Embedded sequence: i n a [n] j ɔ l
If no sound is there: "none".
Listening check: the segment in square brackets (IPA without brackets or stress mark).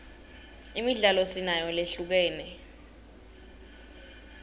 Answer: none